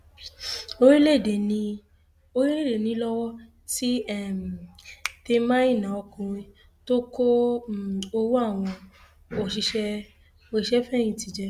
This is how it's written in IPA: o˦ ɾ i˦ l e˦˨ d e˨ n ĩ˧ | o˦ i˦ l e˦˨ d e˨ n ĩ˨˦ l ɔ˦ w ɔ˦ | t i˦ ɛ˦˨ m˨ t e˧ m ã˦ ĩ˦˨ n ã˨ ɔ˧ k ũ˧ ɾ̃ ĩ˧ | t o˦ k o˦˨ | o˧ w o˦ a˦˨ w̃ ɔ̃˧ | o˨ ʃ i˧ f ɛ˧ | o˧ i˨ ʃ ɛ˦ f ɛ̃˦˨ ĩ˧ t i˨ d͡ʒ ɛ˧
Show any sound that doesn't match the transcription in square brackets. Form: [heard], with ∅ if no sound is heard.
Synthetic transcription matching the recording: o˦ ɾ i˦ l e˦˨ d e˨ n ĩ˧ | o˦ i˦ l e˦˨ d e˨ n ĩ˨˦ l ɔ˦ w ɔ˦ | t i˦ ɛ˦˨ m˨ t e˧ m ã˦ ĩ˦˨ n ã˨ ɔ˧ k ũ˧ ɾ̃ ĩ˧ | t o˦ k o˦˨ | o˧ w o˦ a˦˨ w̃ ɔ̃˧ | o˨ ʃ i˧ [ʃ] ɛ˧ | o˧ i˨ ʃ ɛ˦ f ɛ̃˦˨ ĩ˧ t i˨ d͡ʒ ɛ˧